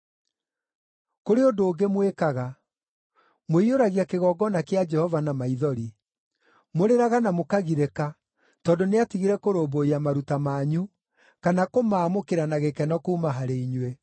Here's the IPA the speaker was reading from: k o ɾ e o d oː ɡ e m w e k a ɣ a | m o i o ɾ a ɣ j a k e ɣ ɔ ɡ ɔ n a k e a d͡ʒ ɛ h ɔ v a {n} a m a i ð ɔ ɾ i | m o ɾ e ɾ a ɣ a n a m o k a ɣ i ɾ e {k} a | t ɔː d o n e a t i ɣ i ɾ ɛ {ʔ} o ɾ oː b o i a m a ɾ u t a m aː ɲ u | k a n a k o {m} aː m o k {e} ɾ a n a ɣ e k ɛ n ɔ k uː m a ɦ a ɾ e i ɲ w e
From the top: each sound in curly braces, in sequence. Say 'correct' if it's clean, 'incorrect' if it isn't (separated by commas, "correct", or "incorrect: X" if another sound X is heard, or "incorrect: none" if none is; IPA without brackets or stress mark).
correct, correct, incorrect: k, correct, correct